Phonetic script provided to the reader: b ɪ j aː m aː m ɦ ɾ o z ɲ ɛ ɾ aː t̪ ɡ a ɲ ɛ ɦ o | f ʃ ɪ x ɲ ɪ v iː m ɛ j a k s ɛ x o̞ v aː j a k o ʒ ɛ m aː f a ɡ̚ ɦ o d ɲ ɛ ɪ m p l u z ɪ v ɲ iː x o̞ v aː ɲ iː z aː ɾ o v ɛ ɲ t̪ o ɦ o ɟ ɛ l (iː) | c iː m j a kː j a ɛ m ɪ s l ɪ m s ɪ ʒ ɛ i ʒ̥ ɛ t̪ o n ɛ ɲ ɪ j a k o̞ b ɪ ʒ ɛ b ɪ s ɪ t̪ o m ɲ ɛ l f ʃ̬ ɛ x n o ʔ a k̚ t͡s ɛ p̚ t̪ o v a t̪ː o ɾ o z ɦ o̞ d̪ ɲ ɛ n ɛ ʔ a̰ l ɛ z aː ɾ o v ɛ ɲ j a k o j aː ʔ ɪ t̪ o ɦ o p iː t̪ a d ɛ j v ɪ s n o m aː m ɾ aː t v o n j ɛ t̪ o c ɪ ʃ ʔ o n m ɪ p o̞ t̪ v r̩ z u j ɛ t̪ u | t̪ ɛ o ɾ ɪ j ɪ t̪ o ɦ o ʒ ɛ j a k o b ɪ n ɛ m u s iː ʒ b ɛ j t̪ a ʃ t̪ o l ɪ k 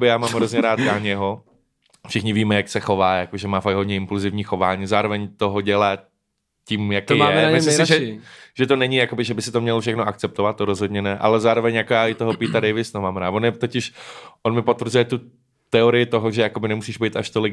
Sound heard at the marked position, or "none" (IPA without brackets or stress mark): aː